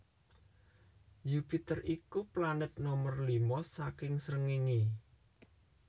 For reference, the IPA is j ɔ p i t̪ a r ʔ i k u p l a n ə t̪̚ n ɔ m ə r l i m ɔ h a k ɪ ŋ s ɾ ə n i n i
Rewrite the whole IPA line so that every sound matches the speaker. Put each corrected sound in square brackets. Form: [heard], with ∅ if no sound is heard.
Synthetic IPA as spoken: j [u] p i t̪ [ə] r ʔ i k u p l a n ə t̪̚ n ɔ m ə r l i m ɔ [s] a k ɪ ŋ s ɾ ə [ŋ] i [ŋ] i